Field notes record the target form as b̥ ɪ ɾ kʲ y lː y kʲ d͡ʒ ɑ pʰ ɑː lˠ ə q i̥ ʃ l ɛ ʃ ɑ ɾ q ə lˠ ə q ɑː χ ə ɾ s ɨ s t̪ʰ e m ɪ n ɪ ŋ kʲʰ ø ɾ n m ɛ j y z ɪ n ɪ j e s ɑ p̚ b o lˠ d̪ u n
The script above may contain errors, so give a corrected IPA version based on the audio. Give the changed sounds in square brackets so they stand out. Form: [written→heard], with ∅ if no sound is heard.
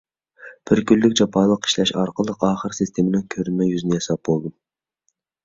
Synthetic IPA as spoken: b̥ ɪ ɾ kʲ y lː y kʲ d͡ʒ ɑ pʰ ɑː lˠ ə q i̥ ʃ l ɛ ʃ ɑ ɾ q ə lˠ ə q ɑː χ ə ɾ s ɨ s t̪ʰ e m ɪ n ɪ ŋ kʲʰ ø ɾ n m ɛ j y z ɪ n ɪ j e s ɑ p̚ b o lˠ d̪ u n